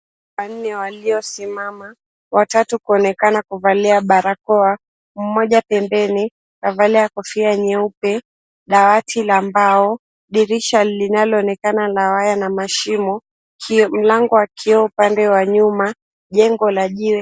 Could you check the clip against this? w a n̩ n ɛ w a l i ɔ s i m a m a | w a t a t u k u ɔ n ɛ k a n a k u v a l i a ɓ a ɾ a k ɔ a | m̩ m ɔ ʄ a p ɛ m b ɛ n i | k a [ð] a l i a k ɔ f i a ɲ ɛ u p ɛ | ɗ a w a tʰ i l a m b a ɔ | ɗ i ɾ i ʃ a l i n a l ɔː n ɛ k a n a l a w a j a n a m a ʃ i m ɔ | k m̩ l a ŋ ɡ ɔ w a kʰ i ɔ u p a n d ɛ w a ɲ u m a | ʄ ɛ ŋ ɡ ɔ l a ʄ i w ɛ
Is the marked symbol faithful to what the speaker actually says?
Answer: no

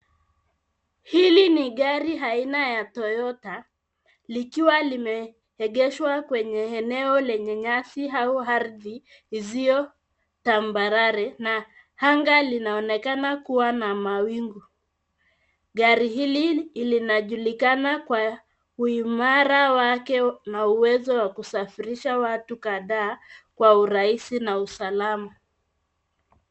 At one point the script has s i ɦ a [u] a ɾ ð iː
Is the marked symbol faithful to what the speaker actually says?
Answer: yes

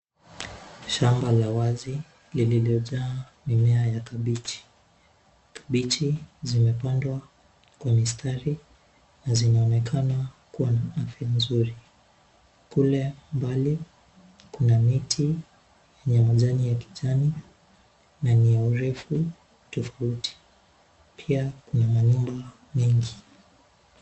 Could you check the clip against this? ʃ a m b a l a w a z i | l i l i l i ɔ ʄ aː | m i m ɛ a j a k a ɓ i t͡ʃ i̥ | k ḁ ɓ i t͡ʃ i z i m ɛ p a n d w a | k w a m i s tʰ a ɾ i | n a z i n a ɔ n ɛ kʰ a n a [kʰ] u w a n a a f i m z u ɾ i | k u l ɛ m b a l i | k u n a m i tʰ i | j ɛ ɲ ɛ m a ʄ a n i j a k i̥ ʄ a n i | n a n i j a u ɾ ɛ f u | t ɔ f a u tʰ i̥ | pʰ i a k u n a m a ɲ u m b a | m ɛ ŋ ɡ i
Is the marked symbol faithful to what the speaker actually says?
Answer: no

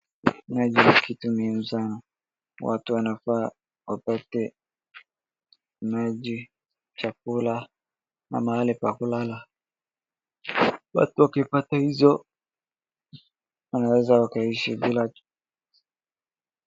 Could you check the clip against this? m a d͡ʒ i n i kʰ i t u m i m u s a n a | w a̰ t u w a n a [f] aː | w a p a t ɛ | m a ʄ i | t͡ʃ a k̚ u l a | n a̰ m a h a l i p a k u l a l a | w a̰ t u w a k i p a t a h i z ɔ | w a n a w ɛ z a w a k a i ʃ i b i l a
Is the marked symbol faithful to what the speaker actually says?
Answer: yes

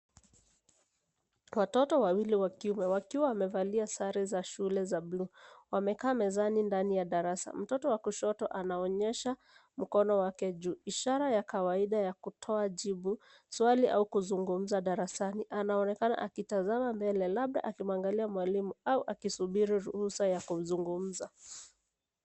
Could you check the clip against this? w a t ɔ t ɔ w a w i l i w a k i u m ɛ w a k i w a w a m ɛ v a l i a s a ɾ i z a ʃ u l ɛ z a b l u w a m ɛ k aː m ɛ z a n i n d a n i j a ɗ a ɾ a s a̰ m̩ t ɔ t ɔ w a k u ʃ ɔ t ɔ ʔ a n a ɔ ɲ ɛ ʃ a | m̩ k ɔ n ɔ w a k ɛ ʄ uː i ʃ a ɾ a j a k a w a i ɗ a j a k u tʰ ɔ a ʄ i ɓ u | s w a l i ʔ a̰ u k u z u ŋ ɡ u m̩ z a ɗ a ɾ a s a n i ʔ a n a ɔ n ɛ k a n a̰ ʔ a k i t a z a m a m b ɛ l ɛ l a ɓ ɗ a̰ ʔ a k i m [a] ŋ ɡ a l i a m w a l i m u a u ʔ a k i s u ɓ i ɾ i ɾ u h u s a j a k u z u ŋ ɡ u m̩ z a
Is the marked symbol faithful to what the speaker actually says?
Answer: yes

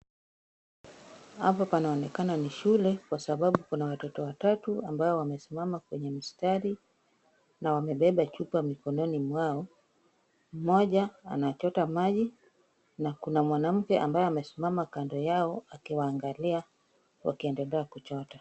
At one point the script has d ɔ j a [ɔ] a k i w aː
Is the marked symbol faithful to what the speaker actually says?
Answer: yes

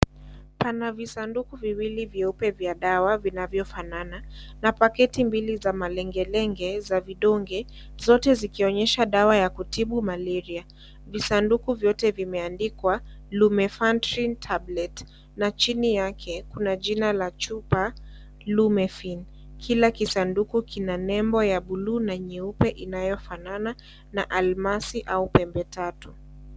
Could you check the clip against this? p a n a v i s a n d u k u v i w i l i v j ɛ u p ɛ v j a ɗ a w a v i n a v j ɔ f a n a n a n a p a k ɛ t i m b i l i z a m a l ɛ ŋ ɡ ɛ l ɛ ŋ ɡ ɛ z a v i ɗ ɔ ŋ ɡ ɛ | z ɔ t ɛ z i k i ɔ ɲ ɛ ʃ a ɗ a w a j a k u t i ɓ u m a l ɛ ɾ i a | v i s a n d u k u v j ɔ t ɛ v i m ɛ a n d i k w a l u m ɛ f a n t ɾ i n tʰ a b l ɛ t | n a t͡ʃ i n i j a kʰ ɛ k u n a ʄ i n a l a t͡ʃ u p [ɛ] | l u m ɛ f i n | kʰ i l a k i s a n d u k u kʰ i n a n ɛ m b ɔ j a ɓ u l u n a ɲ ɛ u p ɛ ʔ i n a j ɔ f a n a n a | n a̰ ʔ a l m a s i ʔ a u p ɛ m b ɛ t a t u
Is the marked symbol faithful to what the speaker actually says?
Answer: no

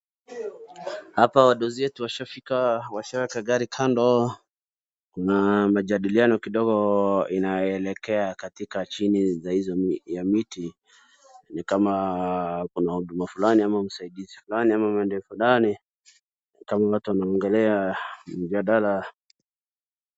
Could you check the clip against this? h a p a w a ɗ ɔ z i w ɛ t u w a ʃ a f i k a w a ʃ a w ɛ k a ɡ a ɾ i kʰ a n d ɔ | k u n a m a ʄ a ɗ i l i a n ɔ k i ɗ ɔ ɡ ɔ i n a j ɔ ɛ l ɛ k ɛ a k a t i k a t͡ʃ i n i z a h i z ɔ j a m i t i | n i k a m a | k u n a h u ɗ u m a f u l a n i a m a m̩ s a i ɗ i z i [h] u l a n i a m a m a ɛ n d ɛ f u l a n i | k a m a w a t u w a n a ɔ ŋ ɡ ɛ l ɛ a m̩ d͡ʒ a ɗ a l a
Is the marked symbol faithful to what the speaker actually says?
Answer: no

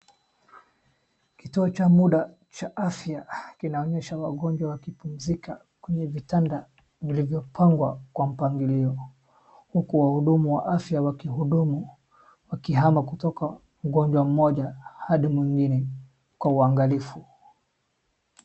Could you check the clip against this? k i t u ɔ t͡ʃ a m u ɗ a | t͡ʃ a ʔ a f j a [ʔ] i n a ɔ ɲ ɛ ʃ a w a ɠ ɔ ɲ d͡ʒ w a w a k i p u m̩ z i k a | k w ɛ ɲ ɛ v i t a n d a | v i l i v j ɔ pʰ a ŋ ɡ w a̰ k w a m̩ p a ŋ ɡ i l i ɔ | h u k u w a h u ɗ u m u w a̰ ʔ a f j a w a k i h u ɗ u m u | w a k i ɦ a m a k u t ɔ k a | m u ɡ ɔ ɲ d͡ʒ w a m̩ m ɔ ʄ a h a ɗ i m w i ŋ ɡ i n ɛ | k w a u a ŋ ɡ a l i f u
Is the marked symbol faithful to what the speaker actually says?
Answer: no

